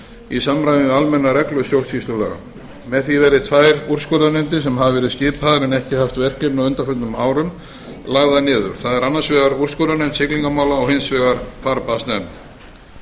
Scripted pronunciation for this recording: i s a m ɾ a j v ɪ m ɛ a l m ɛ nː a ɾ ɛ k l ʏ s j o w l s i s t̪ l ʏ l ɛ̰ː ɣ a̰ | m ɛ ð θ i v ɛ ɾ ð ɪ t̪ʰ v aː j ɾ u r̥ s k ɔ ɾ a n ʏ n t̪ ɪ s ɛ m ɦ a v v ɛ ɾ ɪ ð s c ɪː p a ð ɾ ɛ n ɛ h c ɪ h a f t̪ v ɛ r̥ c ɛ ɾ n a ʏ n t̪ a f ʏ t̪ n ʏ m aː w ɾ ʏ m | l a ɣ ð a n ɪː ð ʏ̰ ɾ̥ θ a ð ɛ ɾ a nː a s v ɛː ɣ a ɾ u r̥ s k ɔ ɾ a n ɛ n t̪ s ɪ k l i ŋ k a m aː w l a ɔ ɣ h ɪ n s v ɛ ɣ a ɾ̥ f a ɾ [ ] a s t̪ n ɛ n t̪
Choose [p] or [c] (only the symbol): p